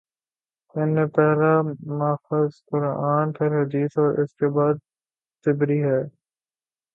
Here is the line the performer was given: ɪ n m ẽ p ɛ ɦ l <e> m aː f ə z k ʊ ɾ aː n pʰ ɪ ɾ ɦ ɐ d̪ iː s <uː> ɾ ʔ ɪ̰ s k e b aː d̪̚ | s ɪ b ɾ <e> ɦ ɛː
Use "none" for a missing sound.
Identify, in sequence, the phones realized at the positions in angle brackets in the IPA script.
a, ɔː, i

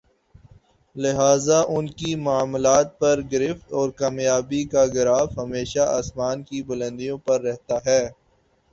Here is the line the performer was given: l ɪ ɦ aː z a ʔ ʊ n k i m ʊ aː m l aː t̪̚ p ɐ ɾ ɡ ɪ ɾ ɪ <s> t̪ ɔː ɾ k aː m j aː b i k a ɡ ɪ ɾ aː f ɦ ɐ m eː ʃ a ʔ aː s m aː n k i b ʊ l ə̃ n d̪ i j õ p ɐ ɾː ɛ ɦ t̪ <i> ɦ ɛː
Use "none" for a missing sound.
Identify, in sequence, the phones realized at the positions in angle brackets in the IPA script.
f, a

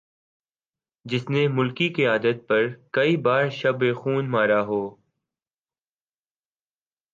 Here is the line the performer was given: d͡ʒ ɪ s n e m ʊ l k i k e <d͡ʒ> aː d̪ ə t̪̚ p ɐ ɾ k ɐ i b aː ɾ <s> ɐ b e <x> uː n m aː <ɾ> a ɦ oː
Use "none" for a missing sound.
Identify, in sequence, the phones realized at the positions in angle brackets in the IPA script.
none, ʃ, x, ɾ

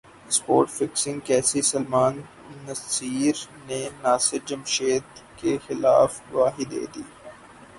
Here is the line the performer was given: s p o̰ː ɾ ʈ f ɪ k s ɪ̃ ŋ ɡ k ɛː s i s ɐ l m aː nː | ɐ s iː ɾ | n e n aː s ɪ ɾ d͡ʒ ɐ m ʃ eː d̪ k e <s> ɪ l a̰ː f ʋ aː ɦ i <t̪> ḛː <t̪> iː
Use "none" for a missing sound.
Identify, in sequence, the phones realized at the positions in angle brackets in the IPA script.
x, d̪, d̪

